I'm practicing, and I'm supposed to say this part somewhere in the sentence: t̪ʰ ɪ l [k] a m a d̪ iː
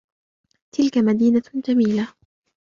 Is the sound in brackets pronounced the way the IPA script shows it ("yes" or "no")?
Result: yes